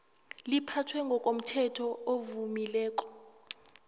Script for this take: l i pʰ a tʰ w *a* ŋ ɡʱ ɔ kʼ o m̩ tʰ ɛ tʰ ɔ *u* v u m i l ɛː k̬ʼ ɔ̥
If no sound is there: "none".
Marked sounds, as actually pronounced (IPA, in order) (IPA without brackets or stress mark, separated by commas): ɛ, o